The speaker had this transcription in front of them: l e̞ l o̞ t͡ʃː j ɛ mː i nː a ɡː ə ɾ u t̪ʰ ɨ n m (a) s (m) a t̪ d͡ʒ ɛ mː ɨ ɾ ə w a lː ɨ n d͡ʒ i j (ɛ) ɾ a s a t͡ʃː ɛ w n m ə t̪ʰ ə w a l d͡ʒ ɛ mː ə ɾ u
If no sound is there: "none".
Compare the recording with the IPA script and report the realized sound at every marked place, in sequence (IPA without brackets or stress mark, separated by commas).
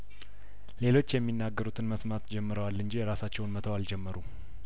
ə, m, ɛ